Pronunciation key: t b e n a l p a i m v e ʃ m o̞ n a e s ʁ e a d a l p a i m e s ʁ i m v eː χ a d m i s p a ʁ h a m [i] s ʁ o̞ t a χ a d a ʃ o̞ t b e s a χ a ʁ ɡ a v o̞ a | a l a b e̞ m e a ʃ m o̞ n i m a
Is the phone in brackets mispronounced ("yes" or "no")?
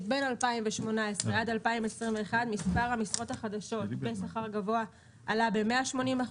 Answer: no